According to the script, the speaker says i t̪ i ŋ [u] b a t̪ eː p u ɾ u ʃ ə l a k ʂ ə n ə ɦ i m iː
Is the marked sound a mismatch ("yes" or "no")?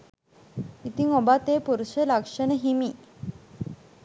yes